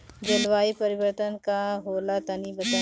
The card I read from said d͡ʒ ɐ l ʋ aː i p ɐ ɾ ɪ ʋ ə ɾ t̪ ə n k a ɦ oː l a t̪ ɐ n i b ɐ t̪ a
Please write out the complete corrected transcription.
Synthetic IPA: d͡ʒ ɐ l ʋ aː i p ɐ ɾ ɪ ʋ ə ɾ t̪ ə n k a ɦ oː l a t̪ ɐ n i b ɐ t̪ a

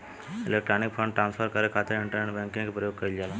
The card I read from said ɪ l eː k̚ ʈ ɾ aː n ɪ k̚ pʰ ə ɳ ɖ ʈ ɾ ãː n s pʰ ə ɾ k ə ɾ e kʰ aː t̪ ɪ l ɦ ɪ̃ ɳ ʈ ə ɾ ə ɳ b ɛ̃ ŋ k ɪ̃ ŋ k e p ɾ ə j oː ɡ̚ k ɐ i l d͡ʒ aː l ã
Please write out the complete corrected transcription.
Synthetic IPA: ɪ l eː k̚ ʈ ɾ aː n ɪ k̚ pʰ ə ɳ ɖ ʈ ɾ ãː n s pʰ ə ɾ k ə ɾ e kʰ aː t̪ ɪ ɾ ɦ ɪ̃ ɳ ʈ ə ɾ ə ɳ b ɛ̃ ŋ k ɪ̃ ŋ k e p ɾ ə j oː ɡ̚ k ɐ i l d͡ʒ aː l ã

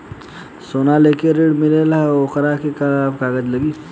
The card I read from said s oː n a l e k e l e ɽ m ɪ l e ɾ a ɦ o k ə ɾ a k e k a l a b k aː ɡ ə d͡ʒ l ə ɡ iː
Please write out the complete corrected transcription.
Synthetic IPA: s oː n a l e k e ɾ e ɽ m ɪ l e l a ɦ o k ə ɾ a k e k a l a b k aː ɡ ə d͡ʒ l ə ɡ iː

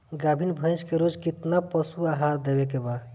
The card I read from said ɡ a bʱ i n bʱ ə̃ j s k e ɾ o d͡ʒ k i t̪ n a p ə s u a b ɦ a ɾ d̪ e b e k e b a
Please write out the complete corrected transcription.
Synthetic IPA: ɡ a bʱ i n bʱ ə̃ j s k e ɾ o d͡ʒ k i t̪ n a p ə s u a ɦ a ɾ d̪ e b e k e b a

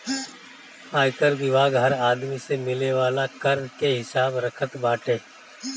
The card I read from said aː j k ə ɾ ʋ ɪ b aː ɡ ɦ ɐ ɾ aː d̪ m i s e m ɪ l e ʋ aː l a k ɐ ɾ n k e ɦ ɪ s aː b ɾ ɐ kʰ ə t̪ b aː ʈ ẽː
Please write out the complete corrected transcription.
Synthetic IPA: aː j k ə ɾ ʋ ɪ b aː ɡ ɦ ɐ ɾ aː d̪ m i s e m ɪ l e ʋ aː l a k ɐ ɾ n k e ɦ ɪ s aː b ɾ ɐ kʰ ə t̪ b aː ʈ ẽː

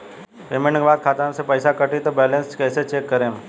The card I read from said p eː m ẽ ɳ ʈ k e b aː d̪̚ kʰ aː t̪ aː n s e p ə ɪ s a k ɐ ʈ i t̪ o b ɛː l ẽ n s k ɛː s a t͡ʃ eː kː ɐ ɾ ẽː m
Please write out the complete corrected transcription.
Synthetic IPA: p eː m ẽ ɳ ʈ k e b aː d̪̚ kʰ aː t̪ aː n s e p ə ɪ s a k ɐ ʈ i t̪ o b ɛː l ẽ n s k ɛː s e t͡ʃ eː kː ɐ ɾ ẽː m

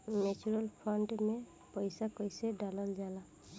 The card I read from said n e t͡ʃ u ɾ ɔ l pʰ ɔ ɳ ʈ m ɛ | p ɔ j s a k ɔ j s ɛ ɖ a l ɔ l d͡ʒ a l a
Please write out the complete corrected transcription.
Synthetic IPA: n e t͡ʃ u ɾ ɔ l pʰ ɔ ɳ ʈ m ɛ | p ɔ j s a k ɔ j s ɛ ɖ a l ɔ l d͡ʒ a l a

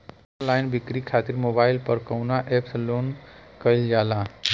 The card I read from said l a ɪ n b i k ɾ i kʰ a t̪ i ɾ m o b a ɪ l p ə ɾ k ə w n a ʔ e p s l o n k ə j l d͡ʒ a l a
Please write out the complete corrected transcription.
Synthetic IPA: l a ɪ n b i k ɾ i kʰ a t̪ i ɾ m o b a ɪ l p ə ɾ k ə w n a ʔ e p s l o n k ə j l d͡ʒ a l a

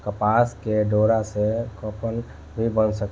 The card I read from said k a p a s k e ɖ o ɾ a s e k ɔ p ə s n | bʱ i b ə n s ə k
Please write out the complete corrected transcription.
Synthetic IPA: k ə p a s k e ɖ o ɾ a s e k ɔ p ə n | bʱ i b ə n s ə k

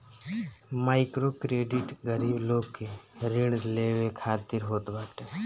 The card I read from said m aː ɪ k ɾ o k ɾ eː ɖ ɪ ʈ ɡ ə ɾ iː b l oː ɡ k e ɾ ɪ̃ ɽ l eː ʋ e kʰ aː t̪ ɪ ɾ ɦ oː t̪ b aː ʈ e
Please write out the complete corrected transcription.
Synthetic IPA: m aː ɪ k ɾ o k ɾ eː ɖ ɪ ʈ ɡ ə ɾ iː b l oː ɡ k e ɾ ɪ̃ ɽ l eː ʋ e kʰ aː t̪ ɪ ɾ ɦ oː t̪ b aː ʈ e

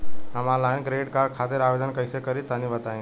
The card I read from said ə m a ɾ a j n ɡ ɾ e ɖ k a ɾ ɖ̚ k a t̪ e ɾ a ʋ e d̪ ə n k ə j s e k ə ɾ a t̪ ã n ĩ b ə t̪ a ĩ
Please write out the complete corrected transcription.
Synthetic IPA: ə m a l a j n ɡ ɾ e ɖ k a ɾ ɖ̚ kʰ a t̪ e ɾ a ʋ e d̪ ə n k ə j s e k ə ɾ i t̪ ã n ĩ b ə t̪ a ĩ

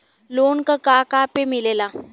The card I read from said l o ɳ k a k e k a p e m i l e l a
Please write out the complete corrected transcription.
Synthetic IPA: l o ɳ k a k a k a p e m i l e l a

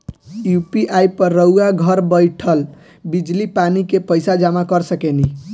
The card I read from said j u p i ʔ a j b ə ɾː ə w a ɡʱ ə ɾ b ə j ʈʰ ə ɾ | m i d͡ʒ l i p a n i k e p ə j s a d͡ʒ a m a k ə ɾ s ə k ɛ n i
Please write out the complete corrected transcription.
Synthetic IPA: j u p i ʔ a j p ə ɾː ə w a ɡʱ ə ɾ b ə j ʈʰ ə l | b i d͡ʒ l i p a n i k e p ə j s a d͡ʒ a m a k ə ɾ s ə k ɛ n i

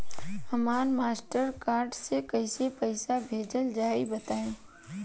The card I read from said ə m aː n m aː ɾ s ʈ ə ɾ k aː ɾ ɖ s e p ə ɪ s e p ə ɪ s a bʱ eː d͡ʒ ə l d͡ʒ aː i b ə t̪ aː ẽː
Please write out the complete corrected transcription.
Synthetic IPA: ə m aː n m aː s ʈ ə ɾ k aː ɾ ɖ s e k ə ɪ s e p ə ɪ s a bʱ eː d͡ʒ ə l d͡ʒ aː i b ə t̪ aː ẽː

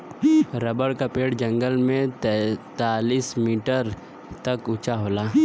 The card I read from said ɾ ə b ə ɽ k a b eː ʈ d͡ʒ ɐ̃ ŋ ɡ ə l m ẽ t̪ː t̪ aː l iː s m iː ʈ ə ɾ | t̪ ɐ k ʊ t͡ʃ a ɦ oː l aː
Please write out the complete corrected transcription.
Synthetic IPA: ɾ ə b ə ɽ k a p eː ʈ d͡ʒ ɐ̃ ŋ ɡ ə l m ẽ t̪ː t̪ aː l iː s m iː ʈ ə ɾ | t̪ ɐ k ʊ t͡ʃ a ɦ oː l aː

